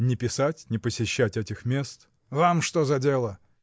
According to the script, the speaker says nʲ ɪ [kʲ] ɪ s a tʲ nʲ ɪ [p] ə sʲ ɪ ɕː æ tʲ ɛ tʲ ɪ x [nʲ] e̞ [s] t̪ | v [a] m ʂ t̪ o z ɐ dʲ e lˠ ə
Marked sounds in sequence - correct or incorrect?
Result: incorrect: pʲ, correct, incorrect: mʲ, correct, correct

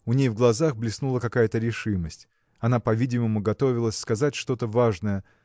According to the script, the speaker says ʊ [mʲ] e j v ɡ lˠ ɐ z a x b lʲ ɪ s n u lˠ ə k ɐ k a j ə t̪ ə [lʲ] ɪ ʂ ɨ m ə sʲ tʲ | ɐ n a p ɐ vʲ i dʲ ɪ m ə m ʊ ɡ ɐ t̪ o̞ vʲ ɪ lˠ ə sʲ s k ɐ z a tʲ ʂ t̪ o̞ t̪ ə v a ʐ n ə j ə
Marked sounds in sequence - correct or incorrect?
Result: incorrect: nʲ, incorrect: ɾʲ

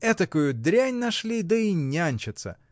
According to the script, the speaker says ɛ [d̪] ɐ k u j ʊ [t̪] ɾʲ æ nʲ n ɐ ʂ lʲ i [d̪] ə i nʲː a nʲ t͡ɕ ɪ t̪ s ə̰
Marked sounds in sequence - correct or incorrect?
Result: incorrect: t̪, incorrect: d̪, correct

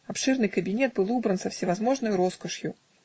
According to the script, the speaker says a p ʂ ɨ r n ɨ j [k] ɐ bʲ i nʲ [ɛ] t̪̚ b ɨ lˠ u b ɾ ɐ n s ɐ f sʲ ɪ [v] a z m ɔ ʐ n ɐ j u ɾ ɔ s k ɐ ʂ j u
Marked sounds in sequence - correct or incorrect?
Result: correct, correct, correct

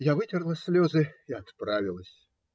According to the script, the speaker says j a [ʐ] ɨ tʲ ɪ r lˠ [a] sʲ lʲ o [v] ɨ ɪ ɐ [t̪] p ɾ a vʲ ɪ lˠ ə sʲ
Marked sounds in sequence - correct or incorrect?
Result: incorrect: v, incorrect: ə, incorrect: z, correct

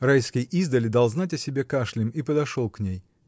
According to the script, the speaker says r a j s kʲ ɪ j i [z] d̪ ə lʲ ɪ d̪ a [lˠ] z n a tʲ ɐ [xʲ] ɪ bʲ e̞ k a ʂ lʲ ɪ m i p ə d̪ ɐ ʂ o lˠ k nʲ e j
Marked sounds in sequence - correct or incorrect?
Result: correct, correct, incorrect: sʲ

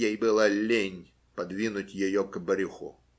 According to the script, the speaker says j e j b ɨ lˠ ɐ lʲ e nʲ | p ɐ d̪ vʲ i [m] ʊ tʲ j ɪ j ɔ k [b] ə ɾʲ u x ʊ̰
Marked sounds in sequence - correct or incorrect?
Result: incorrect: n, correct

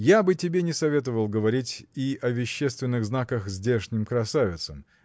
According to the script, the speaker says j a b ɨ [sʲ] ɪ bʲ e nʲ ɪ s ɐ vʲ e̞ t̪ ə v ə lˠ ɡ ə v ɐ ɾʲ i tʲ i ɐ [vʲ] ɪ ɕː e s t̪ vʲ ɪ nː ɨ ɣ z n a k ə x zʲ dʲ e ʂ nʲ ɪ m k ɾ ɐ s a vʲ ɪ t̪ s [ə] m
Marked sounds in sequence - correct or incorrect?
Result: incorrect: tʲ, correct, correct

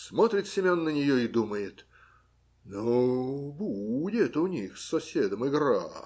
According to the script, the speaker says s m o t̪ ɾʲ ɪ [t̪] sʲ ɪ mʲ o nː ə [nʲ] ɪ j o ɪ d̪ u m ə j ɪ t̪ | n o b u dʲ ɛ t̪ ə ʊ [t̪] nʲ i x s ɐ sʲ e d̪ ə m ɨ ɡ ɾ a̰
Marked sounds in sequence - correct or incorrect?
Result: correct, correct, incorrect: none

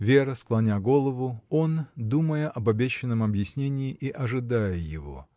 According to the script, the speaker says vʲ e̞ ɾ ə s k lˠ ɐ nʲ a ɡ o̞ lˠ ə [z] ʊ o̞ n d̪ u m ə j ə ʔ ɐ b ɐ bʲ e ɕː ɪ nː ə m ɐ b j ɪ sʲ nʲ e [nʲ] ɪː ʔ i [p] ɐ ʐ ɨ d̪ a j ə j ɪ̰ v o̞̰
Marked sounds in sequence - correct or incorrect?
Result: incorrect: v, correct, incorrect: ʔ

